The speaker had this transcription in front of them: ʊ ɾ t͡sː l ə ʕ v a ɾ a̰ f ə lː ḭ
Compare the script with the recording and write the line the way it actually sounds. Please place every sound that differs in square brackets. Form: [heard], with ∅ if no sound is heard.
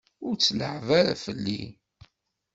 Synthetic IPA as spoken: ʊ ɾ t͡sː l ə ʕ v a ɾ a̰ f ə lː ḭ